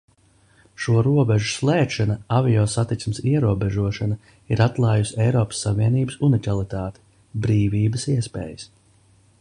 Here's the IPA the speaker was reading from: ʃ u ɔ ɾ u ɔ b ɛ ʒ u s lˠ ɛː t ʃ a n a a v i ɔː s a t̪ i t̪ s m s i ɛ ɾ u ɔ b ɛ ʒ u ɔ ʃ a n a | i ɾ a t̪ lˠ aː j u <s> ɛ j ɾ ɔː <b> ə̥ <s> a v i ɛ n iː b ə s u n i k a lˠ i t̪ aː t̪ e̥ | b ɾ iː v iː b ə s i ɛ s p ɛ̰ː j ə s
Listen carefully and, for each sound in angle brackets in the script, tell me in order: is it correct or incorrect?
correct, incorrect: p, incorrect: sː

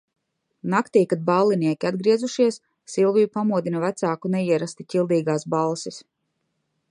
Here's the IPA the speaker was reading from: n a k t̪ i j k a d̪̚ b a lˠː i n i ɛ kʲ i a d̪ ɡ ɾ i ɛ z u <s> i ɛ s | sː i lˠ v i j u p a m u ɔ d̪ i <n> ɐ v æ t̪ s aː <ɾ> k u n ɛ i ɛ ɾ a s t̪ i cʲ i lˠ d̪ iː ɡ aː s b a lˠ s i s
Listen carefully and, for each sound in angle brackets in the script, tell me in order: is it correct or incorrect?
incorrect: ʃ, correct, incorrect: none

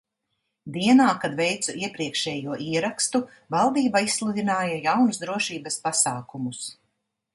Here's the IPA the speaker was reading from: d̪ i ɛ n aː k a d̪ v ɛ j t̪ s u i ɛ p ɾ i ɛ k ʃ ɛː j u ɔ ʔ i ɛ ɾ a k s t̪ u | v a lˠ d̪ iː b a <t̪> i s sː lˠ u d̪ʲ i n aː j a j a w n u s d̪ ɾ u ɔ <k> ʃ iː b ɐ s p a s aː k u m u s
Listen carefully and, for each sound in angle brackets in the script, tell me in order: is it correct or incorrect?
incorrect: none, incorrect: none

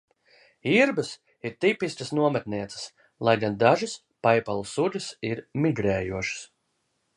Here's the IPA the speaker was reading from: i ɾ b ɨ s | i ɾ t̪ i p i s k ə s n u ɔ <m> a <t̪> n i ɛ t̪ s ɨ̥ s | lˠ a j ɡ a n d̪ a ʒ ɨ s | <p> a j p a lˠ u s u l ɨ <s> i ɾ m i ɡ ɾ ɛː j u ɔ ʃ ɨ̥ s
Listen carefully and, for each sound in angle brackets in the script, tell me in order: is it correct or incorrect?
correct, correct, correct, correct

